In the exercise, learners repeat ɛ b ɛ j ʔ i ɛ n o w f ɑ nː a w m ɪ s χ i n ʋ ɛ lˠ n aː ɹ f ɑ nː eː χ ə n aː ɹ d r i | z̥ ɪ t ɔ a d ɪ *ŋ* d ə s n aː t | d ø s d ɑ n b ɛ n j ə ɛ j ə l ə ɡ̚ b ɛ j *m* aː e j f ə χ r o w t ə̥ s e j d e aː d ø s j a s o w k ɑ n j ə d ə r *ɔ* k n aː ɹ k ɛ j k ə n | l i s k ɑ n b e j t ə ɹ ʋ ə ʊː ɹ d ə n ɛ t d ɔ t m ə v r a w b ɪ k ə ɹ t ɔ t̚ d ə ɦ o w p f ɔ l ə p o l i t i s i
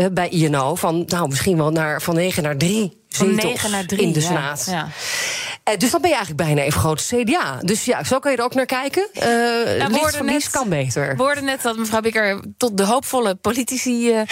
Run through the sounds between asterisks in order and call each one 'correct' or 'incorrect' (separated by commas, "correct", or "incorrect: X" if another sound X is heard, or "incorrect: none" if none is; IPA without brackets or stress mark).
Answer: incorrect: n, incorrect: n, incorrect: o